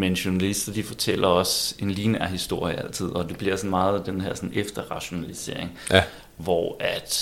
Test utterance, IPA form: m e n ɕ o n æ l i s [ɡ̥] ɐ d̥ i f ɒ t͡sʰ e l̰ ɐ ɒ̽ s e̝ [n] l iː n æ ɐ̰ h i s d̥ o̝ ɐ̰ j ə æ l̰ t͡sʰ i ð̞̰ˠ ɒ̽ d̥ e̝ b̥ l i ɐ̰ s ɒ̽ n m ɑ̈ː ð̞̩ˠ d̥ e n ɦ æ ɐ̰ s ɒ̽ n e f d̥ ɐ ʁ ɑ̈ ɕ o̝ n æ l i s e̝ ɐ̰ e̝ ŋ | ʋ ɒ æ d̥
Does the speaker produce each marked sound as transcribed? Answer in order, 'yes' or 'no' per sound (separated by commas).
no, yes